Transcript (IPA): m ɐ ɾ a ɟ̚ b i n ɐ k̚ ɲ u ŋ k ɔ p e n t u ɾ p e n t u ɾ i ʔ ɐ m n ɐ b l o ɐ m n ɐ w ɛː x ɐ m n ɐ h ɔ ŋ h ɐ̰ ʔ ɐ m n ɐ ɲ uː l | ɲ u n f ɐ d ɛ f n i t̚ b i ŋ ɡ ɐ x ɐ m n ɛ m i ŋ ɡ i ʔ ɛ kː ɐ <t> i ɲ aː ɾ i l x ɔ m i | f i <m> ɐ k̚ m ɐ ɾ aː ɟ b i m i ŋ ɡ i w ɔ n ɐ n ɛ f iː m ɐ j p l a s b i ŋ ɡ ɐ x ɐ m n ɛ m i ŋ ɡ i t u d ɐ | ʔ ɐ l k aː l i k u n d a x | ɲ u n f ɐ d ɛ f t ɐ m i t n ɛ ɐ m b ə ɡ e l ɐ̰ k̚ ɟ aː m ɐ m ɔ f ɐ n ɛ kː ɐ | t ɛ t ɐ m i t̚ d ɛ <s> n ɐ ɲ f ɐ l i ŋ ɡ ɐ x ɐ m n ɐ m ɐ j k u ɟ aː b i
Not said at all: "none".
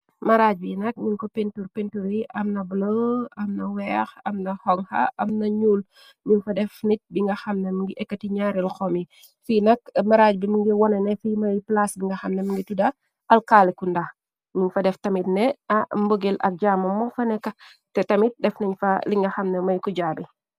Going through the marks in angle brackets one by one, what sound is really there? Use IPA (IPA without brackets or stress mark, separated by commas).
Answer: t, n, f